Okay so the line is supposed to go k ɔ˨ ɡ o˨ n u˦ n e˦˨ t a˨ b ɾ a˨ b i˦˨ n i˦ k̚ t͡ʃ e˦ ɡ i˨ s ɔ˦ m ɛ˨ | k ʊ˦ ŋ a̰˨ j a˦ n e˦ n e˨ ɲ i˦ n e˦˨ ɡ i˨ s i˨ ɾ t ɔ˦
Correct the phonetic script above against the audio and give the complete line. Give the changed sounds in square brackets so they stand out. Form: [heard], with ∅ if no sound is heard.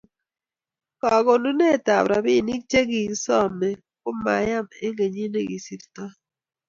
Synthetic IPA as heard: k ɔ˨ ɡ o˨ n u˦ n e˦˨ t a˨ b ɾ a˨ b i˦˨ n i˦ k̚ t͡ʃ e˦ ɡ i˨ s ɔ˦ m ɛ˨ | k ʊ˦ [m] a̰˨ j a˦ [m] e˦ [ŋ] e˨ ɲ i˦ n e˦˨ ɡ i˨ s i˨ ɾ t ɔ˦